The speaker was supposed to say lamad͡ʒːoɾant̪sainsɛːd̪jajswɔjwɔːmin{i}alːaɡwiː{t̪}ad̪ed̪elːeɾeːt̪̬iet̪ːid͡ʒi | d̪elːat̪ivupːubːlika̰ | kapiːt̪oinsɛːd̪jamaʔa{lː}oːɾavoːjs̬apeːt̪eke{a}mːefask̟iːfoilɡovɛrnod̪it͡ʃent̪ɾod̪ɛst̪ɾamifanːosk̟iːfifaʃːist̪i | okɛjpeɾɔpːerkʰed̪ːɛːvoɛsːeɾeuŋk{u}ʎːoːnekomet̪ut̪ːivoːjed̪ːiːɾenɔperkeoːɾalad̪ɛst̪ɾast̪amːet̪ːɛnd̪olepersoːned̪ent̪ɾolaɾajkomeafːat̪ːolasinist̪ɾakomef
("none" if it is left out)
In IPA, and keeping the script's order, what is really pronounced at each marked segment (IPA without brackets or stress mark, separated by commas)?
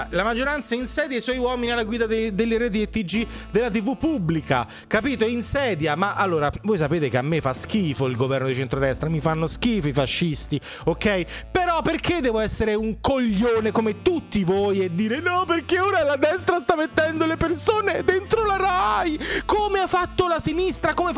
i, d̪, lː, a, o